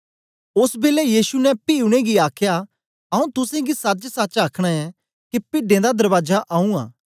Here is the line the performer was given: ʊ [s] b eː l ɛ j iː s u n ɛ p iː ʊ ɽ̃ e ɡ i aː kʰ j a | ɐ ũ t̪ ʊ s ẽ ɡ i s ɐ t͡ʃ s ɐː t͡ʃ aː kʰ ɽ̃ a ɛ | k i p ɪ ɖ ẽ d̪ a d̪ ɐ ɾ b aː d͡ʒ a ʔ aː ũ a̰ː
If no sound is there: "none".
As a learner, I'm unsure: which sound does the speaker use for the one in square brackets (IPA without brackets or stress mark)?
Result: s